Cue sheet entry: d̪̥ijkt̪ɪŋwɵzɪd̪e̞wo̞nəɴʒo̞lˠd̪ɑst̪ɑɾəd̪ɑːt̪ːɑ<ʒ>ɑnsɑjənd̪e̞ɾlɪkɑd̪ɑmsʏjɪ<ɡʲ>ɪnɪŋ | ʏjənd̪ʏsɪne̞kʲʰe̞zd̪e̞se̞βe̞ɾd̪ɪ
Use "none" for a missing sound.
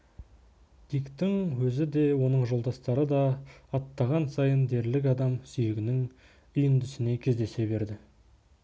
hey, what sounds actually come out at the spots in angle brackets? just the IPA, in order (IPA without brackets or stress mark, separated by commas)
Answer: ʁ, ɡʲ